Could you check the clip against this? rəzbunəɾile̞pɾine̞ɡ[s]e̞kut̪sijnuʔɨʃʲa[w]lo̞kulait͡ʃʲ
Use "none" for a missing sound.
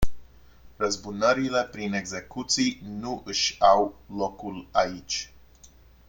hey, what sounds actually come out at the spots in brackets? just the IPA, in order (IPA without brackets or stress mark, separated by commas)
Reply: z, w